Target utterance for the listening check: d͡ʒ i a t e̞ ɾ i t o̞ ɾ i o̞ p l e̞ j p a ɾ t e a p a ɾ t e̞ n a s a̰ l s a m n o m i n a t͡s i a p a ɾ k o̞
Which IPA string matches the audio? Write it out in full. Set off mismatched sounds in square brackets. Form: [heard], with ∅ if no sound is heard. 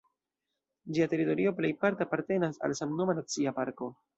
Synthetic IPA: d͡ʒ i a t e̞ ɾ i t o̞ ɾ i o̞ p l e̞ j p a ɾ t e a p a ɾ t e̞ n a s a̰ l s a m n o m [a] n a t͡s i a p a ɾ k o̞